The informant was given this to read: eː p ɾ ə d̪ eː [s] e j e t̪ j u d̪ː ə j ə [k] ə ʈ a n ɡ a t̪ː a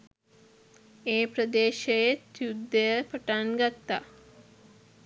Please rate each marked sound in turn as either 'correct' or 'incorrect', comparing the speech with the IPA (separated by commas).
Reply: incorrect, incorrect